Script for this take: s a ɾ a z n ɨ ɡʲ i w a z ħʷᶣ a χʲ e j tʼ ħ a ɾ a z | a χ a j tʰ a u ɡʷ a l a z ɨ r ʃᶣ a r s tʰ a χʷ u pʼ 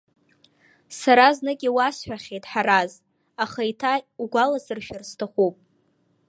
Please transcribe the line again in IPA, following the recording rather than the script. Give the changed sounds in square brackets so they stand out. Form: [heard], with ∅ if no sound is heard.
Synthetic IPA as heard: s a ɾ a z n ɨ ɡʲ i w a [s] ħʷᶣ a χʲ e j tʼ ħ a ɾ a z | a χ a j tʰ a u ɡʷ a l a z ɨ r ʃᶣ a r s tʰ a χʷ u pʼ